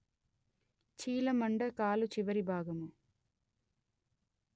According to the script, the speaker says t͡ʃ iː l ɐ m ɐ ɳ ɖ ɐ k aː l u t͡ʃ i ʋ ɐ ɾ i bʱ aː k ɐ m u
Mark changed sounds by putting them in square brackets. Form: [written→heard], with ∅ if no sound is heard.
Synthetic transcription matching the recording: t͡ʃ iː l ɐ m ɐ ɳ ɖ ɐ k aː l u t͡ʃ i ʋ ɐ ɾ i bʱ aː [k→ɡ] ɐ m u